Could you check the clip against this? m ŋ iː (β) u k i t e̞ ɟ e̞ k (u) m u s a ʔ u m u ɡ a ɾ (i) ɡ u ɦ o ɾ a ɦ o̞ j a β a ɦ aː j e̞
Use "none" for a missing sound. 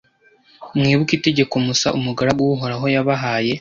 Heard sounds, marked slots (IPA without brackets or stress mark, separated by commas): β, o, a